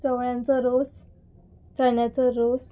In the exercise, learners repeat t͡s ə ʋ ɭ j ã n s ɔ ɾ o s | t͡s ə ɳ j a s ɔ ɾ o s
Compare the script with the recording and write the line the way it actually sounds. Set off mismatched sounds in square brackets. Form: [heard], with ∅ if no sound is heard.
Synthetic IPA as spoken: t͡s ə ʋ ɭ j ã n [t͡s] ɔ ɾ o s | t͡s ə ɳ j a [t͡s] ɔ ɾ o s